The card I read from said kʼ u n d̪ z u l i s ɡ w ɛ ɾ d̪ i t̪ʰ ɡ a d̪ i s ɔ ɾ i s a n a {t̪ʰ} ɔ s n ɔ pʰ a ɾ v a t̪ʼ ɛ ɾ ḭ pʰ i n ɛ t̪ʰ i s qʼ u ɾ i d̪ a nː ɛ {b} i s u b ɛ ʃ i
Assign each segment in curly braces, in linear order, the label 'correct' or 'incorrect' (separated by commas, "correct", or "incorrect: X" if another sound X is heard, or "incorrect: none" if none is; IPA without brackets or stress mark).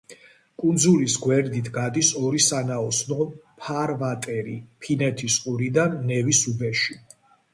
incorrect: none, incorrect: v